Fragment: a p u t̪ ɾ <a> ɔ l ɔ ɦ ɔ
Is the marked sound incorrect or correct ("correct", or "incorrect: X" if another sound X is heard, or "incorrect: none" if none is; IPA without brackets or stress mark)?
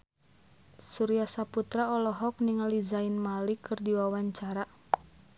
correct